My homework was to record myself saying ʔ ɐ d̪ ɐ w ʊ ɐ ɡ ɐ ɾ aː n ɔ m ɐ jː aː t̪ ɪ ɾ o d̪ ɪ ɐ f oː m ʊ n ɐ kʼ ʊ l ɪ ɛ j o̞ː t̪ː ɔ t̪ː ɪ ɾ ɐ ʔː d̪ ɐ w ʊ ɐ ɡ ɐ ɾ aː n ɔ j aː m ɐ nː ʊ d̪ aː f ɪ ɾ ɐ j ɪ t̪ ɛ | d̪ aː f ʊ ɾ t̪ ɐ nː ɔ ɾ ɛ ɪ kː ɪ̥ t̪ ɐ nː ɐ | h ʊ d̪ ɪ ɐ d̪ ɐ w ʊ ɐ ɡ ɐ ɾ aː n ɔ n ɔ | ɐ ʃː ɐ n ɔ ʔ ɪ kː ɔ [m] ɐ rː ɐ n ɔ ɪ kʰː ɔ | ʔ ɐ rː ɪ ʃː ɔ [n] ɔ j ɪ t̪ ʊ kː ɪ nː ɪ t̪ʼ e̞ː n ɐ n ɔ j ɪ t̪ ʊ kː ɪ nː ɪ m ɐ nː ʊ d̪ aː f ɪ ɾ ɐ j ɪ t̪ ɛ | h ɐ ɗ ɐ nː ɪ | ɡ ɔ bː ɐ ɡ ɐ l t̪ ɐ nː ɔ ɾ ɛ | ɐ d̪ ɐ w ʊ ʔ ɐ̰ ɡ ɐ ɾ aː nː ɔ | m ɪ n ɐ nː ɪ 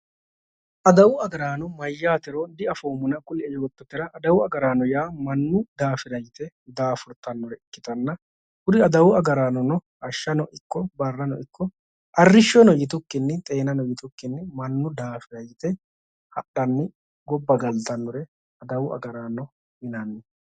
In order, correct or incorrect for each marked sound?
incorrect: b, correct

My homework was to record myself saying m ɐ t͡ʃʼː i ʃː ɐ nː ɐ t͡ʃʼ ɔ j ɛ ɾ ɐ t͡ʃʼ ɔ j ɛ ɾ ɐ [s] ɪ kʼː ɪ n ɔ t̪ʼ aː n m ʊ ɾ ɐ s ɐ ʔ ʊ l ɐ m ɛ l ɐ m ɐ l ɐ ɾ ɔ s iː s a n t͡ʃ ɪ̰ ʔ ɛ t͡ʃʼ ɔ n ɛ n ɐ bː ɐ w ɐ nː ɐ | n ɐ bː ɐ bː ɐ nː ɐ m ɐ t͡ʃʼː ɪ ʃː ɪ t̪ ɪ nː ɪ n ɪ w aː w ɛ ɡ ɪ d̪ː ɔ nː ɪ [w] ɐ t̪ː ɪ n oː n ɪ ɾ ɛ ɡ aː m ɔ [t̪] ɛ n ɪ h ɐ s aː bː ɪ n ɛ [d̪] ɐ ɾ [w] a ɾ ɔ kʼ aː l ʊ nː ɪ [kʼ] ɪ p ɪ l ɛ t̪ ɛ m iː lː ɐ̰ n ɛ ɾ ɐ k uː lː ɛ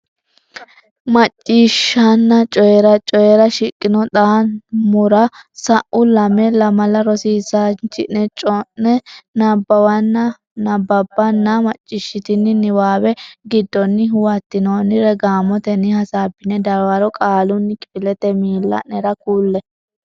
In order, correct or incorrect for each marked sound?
incorrect: ʃ, correct, correct, correct, correct, correct

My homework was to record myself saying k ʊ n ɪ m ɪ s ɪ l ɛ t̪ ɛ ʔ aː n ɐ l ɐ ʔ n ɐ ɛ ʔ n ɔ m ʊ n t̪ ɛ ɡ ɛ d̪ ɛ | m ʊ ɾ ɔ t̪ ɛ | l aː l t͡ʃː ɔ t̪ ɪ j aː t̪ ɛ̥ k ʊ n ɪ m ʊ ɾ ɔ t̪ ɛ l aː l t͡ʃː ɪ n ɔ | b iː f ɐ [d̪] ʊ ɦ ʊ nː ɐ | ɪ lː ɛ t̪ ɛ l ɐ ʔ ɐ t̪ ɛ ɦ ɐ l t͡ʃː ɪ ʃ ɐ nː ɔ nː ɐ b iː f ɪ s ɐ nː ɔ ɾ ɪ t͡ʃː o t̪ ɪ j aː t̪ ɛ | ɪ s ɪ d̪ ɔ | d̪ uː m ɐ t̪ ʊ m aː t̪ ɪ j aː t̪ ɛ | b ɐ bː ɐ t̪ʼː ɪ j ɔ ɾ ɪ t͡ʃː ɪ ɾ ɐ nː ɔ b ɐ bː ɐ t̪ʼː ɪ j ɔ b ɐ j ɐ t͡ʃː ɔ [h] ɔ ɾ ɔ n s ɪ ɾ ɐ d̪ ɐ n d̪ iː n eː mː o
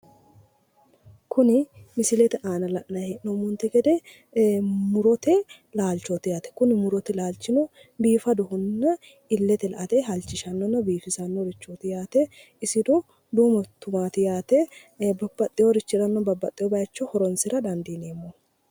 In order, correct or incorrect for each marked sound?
correct, correct

